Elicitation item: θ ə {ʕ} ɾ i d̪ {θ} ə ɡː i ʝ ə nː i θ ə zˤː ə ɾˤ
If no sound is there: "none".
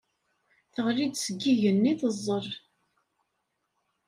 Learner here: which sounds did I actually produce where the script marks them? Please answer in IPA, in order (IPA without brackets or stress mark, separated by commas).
ʁ, s